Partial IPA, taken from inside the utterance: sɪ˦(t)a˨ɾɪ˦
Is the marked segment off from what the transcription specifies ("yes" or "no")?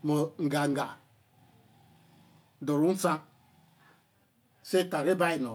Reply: no